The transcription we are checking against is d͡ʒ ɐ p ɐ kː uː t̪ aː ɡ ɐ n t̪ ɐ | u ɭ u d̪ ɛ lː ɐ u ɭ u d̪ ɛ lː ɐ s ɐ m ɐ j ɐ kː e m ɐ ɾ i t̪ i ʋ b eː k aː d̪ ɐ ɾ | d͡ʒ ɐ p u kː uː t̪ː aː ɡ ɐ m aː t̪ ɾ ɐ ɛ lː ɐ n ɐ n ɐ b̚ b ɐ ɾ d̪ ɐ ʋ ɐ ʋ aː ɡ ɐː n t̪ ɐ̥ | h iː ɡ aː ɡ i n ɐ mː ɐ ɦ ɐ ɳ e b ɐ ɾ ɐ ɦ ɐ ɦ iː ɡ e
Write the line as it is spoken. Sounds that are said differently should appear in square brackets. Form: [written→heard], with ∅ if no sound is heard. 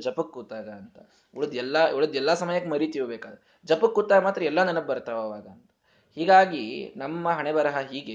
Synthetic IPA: d͡ʒ ɐ p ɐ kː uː t̪ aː ɡ ɐ n t̪ ɐ | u ɭ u d̪ ɛ lː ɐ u ɭ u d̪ ɛ lː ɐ s ɐ m ɐ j ɐ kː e m ɐ ɾ i t̪ i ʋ b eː k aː d̪ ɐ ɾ | d͡ʒ ɐ p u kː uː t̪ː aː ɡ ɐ m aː t̪ ɾ ɐ ɛ lː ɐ n ɐ n ɐ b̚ b ɐ ɾ [d̪→t̪] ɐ ʋ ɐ ʋ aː ɡ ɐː n t̪ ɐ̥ | h iː ɡ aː ɡ i n ɐ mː ɐ ɦ ɐ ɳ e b ɐ ɾ ɐ ɦ ɐ ɦ iː ɡ e